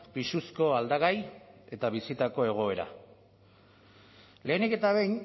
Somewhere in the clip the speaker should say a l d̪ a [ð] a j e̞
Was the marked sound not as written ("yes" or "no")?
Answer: yes